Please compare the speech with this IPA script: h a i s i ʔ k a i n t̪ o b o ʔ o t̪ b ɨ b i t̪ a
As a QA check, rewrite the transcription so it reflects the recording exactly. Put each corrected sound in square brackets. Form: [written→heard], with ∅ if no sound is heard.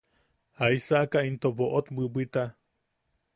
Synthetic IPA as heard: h a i s [i→a] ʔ k a i n t̪ o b o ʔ o t̪ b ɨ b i t̪ a